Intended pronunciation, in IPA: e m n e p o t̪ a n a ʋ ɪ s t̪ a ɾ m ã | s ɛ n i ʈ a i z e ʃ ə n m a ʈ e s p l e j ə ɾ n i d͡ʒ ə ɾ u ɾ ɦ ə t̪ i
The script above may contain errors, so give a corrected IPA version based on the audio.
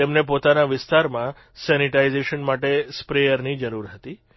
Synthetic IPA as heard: e m n e p o t̪ a n a ʋ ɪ s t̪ a ɾ m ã | s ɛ n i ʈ a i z e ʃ ə n m a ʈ e s p ɾ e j ə ɾ n i d͡ʒ ə ɾ u ɾ ɦ ə t̪ i